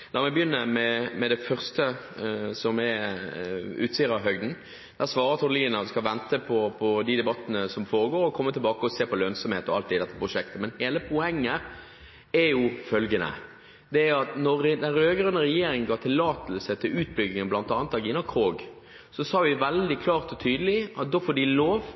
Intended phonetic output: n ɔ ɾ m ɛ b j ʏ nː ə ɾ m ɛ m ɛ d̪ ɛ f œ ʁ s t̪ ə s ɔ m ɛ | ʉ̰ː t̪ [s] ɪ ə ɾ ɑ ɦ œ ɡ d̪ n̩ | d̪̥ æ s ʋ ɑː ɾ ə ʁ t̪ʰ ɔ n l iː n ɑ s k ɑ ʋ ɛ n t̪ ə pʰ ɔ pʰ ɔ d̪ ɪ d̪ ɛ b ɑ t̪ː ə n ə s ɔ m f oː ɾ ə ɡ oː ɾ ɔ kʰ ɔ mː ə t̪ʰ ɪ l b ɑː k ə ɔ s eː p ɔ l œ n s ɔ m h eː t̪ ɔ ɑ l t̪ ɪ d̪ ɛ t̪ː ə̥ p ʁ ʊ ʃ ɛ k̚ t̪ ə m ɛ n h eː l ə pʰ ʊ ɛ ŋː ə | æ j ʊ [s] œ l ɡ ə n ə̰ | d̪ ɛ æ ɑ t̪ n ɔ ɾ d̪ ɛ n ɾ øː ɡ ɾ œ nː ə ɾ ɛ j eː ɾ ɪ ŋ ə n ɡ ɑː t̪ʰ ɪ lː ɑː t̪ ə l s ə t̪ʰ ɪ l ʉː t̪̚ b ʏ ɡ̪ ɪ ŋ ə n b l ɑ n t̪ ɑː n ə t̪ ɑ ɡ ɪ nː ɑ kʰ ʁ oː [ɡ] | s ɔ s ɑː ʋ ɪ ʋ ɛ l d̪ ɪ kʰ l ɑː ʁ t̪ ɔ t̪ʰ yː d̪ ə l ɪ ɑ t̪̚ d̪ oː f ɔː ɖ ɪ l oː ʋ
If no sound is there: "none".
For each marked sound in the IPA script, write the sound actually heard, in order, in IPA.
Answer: s, f, ɡ

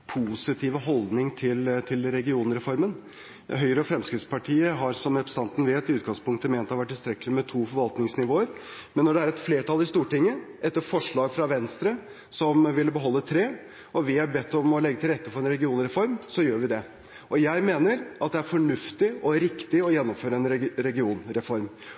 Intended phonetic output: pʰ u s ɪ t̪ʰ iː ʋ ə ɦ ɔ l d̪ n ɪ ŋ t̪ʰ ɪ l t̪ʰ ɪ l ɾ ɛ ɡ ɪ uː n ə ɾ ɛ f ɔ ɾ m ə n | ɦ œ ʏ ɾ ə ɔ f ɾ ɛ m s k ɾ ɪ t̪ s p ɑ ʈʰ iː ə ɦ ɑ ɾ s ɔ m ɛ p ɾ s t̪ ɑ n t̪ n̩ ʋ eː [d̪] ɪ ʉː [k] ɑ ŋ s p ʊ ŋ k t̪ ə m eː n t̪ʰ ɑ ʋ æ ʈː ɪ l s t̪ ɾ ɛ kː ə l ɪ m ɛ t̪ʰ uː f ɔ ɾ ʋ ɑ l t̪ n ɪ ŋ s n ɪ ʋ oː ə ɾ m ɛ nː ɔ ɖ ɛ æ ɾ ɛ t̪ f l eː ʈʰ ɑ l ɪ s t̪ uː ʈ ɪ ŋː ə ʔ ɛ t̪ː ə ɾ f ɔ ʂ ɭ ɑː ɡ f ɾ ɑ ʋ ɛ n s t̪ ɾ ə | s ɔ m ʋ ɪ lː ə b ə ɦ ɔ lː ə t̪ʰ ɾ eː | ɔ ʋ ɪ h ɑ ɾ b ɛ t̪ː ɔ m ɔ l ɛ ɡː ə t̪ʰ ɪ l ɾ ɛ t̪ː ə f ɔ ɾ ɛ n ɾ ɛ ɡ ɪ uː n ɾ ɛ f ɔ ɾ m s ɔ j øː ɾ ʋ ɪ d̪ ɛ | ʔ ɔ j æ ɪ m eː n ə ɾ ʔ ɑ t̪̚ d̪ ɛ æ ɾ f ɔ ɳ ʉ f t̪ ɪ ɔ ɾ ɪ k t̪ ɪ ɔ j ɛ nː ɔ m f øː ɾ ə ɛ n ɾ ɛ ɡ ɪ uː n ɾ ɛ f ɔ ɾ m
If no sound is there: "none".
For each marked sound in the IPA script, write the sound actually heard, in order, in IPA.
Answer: t̪, ɡ

